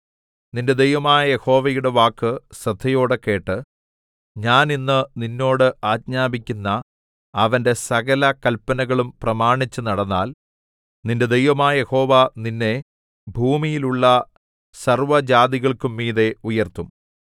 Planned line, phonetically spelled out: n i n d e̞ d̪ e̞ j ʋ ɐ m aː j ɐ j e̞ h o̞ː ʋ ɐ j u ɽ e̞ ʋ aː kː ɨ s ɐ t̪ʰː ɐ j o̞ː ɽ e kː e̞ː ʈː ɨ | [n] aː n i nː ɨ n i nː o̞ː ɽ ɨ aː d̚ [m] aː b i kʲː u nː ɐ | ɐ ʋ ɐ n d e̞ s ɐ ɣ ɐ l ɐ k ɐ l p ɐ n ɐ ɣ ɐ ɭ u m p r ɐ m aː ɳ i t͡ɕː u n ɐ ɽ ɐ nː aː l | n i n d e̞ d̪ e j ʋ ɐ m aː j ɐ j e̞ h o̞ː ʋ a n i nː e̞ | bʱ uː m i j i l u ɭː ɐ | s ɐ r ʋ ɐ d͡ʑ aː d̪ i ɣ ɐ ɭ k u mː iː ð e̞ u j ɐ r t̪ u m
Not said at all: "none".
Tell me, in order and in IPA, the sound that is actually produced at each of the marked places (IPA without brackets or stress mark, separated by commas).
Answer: ɲ, ɲ